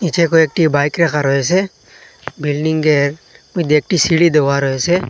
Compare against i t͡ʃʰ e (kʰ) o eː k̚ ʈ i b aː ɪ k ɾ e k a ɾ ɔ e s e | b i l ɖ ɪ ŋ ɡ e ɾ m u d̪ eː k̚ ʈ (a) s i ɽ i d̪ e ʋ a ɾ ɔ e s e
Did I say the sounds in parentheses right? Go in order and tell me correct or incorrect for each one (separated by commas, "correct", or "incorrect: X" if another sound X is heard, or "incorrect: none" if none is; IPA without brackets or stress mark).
incorrect: k, incorrect: i